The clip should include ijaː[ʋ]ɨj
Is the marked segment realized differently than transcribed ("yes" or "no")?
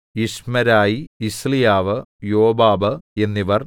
no